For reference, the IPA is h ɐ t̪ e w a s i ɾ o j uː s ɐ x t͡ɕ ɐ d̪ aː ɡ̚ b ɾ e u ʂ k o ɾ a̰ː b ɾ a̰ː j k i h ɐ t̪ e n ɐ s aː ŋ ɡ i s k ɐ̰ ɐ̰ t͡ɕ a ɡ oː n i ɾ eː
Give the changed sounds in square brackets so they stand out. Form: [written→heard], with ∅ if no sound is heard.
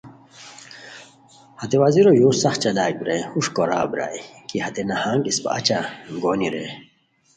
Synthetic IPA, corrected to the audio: h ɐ t̪ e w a [s→z] i ɾ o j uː s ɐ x t͡ɕ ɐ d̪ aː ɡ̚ b ɾ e u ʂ k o ɾ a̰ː b ɾ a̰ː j k i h ɐ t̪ e n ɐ [s→h] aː ŋ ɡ i s [k→p] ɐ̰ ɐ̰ t͡ɕ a ɡ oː n i ɾ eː